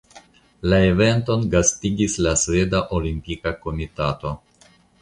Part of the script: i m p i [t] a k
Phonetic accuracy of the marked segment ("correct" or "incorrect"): incorrect